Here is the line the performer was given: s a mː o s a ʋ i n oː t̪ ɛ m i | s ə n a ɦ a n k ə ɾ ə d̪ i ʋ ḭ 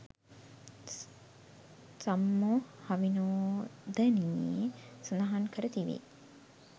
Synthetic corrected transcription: s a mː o h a ʋ i n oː d̪ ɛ n i | s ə n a ɦ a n k ə ɾ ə t̪ i ʋ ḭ